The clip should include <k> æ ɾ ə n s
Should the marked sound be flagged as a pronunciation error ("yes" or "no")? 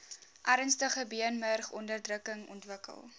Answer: yes